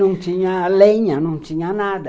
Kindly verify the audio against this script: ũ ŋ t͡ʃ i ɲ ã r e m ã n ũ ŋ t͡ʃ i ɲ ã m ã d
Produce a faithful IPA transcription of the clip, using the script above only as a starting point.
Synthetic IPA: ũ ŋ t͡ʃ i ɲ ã l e ɲ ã n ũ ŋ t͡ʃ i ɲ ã n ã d